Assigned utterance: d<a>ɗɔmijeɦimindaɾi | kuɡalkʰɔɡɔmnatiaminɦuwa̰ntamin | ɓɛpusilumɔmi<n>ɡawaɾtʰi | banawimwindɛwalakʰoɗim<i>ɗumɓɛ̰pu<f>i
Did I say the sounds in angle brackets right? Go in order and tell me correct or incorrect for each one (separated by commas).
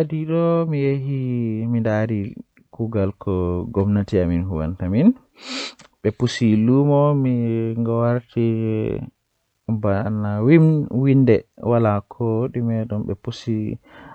incorrect, incorrect, incorrect, incorrect